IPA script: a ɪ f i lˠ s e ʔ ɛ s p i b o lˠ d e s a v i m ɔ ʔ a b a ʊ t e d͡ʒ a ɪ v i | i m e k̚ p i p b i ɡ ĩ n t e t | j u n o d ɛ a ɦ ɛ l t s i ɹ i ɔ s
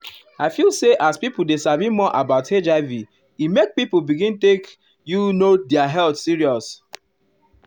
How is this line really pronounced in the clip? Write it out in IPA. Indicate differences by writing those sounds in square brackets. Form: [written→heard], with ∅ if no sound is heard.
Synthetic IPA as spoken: a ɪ f i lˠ s e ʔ [ɛ→a] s p i [b→p] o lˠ d e s a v i m ɔ ʔ a b a ʊ t e d͡ʒ a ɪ v i | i m e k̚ p i p b i ɡ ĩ n t e [t→k] | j u n o d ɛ a ɦ ɛ l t s i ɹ i ɔ s